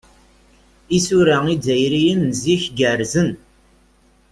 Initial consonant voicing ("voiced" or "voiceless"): voiceless